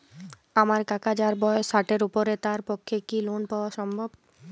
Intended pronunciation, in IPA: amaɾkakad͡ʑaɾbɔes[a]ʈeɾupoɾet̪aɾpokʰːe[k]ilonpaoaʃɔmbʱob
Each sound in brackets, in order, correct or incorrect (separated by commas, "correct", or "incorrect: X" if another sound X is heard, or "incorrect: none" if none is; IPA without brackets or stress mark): correct, correct